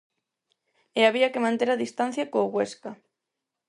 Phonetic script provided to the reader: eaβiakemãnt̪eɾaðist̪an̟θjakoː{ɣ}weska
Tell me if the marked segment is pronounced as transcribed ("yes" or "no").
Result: yes